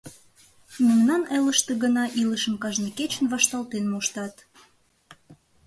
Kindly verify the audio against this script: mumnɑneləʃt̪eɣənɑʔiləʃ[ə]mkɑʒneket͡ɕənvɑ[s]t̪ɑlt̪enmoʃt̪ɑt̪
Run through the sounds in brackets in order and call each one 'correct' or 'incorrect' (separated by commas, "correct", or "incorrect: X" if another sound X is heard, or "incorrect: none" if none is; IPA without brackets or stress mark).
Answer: correct, incorrect: ʃ